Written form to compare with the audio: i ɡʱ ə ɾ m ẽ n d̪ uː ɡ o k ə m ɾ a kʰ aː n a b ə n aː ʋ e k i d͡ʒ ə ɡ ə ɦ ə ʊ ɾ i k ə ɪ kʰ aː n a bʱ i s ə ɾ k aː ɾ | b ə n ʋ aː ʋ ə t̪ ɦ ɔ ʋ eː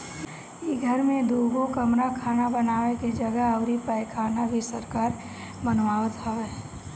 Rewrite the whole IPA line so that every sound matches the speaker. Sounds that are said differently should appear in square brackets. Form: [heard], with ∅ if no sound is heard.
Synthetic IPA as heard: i ɡʱ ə ɾ m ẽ [∅] d̪ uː ɡ o k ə m ɾ a kʰ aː n a b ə n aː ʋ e k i d͡ʒ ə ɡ ə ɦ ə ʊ ɾ i [p] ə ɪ kʰ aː n a bʱ i s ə ɾ k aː ɾ | b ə n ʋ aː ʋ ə t̪ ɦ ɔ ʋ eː